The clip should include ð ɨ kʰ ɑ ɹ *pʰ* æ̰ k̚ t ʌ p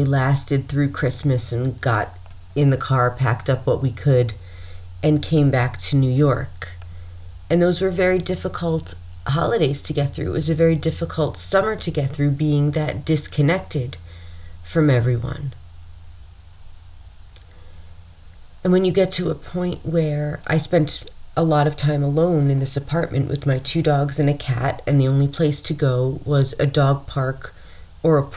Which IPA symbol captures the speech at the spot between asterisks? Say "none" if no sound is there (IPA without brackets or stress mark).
pʰ